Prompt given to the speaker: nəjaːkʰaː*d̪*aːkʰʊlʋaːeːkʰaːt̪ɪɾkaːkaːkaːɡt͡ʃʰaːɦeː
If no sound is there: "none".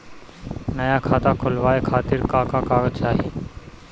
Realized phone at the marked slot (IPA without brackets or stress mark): t̪